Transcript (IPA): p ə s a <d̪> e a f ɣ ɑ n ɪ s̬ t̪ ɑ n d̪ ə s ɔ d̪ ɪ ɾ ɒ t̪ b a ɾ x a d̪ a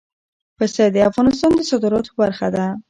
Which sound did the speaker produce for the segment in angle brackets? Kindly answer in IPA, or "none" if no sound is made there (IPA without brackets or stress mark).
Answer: d̪